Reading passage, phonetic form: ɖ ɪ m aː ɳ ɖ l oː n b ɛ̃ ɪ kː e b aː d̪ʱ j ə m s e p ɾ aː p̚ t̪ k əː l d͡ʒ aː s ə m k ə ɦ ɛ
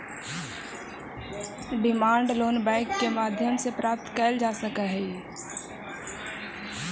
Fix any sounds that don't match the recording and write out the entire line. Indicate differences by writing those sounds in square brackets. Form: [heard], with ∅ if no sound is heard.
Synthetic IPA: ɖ ɪ m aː ɳ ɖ l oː n b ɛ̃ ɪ kː e [m] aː d̪ʱ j ə m s e p ɾ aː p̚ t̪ k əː l d͡ʒ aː s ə [∅] k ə ɦ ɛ